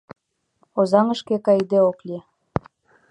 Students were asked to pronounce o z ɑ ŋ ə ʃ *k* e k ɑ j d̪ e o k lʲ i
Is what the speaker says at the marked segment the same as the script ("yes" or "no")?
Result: yes